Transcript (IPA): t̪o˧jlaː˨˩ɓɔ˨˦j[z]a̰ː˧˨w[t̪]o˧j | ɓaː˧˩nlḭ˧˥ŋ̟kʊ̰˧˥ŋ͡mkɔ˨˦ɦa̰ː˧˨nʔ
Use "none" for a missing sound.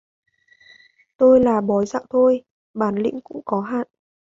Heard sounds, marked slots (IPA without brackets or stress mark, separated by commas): z, t̪ʰ